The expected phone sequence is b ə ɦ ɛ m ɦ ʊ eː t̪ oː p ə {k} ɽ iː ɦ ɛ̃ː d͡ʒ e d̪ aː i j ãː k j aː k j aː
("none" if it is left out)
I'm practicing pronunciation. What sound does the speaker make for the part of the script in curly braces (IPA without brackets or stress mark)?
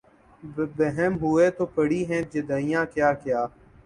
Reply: none